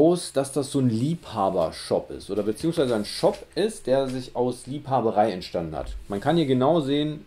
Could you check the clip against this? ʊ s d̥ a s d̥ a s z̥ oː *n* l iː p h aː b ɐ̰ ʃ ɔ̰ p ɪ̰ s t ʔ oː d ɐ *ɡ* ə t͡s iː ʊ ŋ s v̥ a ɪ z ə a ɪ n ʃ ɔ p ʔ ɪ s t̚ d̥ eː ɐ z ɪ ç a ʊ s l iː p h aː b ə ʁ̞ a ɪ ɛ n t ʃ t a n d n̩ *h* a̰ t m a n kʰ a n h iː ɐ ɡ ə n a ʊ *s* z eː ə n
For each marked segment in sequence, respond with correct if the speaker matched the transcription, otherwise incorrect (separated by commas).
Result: correct, incorrect, correct, incorrect